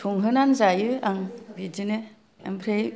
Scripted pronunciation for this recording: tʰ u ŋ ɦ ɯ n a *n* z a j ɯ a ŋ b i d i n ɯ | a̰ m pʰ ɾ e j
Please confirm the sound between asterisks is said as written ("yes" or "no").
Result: yes